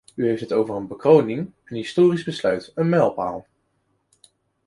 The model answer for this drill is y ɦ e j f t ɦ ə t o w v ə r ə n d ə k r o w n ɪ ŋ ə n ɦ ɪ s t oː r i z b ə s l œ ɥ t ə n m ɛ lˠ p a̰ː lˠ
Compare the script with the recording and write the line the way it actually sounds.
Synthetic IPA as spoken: y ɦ e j f t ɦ ə t o w v ə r ə n b ə k r o w n ɪ ŋ ə n ɦ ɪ s t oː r i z b ə s l œ ɥ t ə n m ɛ lˠ p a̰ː lˠ